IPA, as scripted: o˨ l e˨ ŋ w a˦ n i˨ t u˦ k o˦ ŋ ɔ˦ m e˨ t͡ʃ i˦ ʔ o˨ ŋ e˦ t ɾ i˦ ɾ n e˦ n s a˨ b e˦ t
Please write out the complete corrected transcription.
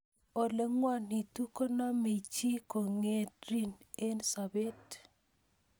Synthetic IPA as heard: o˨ l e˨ ŋ w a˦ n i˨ t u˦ k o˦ n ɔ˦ m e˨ t͡ʃ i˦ k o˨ ŋ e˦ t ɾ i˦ n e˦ n s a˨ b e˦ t